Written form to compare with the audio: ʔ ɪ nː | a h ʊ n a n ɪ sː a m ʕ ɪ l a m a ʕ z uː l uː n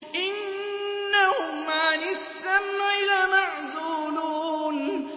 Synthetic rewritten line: ʔ ɪ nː | a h ʊ m a n ɪ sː a m ʕ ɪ l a m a ʕ z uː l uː n